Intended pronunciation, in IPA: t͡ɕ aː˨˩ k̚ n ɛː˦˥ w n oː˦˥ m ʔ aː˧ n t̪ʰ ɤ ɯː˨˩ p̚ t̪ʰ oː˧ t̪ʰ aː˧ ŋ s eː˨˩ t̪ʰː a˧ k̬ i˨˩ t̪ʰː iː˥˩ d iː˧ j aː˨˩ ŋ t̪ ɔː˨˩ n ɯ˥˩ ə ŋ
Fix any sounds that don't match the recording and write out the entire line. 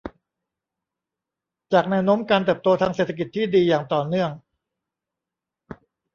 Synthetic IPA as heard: t͡ɕ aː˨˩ k̚ n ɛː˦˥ w n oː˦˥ m k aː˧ n t̪ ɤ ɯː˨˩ p̚ t̪ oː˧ t̪ʰ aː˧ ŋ s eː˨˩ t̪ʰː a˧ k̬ i˨˩ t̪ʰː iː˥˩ d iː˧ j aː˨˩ ŋ t̪ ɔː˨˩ n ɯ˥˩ ə ŋ